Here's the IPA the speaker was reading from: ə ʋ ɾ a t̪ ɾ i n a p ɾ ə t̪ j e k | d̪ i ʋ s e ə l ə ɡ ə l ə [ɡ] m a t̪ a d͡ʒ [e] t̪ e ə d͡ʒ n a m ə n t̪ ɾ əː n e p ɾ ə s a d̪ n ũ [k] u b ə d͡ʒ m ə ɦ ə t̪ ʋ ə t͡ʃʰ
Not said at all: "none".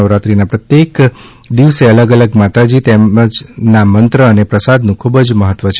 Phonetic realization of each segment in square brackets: ɡ, i, kʰ

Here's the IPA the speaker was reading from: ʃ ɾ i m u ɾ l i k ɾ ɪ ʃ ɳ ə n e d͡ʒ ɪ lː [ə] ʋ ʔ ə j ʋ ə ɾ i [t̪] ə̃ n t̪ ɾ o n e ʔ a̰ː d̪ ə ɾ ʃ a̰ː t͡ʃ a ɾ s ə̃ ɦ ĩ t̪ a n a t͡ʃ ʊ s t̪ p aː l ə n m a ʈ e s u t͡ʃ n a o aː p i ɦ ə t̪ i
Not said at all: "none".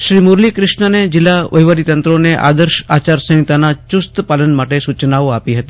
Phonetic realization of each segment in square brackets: a, t̪

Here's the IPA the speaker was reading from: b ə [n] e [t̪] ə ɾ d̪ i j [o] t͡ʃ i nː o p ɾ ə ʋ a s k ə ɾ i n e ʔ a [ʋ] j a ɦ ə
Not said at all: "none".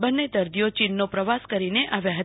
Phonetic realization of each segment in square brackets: nː, d̪, o, ʋ

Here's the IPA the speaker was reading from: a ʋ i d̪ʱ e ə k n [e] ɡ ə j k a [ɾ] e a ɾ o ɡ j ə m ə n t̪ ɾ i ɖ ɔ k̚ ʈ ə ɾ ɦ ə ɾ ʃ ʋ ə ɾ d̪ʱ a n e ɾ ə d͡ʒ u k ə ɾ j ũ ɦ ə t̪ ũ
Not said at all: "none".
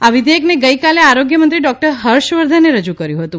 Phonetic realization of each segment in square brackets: e, l

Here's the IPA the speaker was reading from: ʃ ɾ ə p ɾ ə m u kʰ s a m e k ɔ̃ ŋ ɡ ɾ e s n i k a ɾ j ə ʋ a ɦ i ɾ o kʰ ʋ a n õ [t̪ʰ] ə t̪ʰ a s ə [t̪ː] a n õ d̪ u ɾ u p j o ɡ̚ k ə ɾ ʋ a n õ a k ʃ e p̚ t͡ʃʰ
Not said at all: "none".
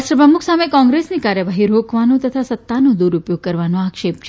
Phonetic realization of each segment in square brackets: t̪, t̪ː

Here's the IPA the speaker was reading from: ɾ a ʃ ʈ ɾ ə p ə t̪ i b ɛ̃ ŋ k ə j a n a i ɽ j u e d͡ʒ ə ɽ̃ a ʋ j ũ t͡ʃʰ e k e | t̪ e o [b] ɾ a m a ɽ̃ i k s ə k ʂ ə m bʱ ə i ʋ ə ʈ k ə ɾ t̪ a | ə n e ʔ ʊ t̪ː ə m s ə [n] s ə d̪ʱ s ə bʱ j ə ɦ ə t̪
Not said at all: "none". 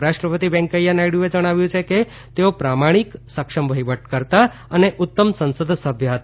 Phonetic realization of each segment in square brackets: p, n

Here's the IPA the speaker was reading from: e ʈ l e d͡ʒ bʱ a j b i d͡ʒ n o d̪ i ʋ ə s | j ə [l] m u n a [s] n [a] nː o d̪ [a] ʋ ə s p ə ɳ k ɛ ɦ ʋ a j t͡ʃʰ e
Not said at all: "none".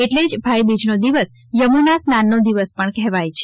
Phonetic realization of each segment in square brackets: none, s, a, i

